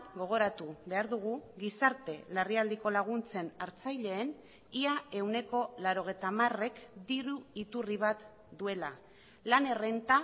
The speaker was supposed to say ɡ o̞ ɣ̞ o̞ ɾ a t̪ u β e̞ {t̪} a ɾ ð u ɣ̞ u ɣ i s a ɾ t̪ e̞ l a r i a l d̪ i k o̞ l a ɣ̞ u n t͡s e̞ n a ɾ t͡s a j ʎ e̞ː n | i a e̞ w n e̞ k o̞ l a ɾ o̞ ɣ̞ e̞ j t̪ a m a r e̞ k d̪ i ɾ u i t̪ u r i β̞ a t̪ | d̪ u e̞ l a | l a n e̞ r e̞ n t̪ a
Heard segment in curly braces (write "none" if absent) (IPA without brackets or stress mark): none